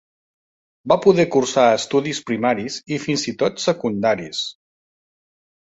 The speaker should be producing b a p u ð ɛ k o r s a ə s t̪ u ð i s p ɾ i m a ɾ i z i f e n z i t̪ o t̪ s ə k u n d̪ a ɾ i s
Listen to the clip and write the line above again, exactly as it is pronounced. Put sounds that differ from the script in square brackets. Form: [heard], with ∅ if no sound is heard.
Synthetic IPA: b a p u ð ɛ k [u] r s a ə s t̪ u ð i s p ɾ i m a ɾ i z i f [i] n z i t̪ o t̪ s ə k u n d̪ a ɾ i s